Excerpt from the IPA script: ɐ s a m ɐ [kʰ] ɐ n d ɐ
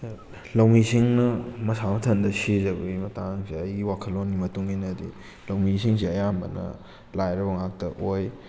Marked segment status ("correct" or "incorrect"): incorrect